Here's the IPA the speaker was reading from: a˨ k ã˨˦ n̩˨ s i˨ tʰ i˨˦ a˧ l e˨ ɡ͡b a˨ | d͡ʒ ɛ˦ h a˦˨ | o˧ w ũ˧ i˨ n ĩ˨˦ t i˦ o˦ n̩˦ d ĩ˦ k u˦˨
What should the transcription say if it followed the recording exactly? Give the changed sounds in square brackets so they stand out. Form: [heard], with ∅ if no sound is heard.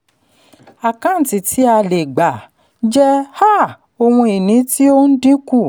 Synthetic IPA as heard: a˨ k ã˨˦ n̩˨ [t] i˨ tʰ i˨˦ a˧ l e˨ ɡ͡b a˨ | d͡ʒ ɛ˦ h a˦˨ | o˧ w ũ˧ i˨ n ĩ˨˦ t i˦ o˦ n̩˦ d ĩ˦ k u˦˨